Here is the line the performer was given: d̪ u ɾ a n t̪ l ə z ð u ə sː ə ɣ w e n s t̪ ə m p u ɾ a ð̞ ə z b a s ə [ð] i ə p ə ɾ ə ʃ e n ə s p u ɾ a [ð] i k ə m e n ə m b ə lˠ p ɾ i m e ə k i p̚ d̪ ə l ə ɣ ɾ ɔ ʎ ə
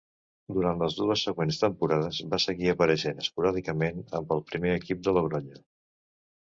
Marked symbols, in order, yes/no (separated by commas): no, yes